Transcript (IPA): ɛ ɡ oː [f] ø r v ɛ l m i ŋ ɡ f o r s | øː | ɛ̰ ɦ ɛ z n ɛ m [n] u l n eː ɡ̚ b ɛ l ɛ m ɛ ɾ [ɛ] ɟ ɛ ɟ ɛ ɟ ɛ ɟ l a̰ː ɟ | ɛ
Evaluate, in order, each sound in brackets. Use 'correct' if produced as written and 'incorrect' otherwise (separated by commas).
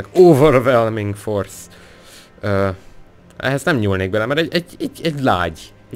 incorrect, incorrect, correct